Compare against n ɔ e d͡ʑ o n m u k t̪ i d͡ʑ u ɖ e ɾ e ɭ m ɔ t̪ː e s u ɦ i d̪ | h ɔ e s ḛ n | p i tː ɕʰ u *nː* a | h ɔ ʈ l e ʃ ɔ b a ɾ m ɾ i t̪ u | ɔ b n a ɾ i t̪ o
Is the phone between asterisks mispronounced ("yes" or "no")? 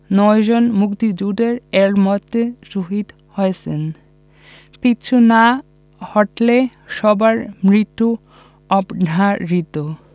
yes